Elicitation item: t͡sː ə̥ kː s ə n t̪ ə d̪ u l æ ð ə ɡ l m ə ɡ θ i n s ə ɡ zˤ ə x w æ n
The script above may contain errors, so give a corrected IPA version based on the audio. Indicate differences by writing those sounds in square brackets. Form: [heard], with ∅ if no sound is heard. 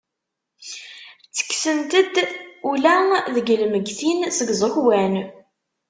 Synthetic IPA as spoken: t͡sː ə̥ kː s ə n t̪ ə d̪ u l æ ð ə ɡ l m ə ɡ θ i n s ə ɡ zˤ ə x w æ n